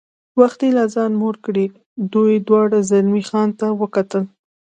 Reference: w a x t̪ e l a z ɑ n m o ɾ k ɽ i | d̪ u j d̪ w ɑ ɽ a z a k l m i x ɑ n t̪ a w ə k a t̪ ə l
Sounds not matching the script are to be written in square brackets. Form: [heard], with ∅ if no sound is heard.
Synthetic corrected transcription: w a x t̪ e l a z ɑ n m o ɾ k ɽ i | d̪ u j d̪ w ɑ ɽ a z a [∅] l m i x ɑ n t̪ a w ə k a t̪ ə l